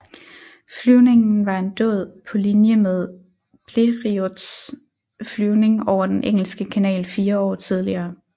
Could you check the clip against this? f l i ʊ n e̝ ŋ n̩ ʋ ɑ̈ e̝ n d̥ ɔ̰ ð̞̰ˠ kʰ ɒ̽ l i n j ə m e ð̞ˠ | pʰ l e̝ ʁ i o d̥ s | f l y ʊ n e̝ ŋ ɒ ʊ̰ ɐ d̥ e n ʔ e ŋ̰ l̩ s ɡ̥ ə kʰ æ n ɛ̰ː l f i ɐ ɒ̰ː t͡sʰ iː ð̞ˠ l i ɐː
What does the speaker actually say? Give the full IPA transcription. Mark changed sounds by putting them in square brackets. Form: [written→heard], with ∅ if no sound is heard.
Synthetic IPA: f l [i→y] ʊ n e̝ ŋ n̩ ʋ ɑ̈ e̝ n d̥ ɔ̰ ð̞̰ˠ [kʰ→pʰ] ɒ̽ l i n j ə m e ð̞ˠ | pʰ l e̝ ʁ i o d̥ s | f l y ʊ n e̝ ŋ ɒ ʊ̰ ɐ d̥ e n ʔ e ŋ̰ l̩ s ɡ̥ ə kʰ æ n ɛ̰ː l f [i→iː] ɐ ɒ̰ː t͡sʰ [iː→i] ð̞ˠ l i ɐː